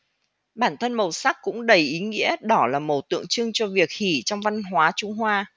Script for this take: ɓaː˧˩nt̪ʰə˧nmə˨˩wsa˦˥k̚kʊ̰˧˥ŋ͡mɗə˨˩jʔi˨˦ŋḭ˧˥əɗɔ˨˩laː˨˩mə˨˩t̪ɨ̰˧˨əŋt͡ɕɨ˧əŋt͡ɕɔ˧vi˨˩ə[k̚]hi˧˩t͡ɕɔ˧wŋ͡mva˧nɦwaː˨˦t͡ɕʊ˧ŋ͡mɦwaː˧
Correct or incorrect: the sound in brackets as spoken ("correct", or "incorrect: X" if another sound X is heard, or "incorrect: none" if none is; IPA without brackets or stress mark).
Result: correct